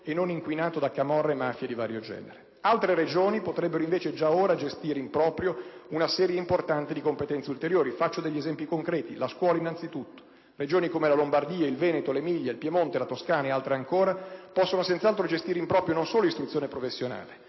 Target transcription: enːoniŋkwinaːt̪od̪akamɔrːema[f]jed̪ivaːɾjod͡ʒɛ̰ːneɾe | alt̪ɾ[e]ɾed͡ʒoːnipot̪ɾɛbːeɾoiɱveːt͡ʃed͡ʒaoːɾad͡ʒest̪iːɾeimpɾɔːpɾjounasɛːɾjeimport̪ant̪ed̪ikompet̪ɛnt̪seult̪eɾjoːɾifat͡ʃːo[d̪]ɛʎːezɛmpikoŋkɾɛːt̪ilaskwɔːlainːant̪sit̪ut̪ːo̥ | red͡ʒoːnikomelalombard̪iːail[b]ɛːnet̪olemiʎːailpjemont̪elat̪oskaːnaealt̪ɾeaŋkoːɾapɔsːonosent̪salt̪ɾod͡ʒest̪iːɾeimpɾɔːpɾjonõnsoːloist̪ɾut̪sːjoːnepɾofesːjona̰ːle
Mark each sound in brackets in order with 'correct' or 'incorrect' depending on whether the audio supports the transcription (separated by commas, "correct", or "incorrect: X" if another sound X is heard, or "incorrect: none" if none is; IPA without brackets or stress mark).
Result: correct, correct, correct, incorrect: v